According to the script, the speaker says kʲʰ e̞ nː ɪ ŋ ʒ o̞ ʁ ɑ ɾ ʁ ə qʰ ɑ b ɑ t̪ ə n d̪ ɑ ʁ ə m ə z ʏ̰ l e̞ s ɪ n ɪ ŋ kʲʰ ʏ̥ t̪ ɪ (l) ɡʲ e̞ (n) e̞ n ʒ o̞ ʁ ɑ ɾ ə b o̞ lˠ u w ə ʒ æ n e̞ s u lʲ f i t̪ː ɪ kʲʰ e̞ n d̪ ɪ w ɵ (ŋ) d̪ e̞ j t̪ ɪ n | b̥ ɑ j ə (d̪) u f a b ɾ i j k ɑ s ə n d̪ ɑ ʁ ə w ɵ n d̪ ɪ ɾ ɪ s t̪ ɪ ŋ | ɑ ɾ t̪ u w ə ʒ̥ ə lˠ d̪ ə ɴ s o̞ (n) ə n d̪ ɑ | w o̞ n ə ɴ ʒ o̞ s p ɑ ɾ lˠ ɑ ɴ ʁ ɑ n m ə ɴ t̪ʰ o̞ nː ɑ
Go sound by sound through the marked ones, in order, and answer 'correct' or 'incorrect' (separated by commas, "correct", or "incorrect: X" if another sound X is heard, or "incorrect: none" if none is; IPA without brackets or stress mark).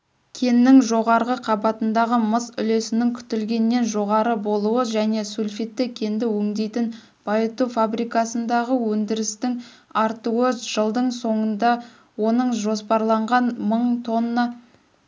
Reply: correct, incorrect: nː, correct, incorrect: t̪, incorrect: ɴ